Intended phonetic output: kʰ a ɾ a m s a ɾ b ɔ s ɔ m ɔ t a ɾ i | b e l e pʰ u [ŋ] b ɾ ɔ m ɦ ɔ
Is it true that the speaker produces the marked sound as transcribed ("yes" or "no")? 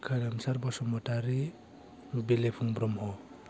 yes